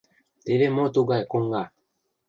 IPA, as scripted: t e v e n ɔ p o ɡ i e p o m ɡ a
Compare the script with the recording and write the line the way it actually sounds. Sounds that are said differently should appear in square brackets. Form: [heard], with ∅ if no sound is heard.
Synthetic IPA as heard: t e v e [m] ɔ [t] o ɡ [a] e [k] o [ŋ] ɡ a